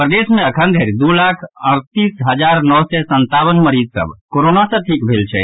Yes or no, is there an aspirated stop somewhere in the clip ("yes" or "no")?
yes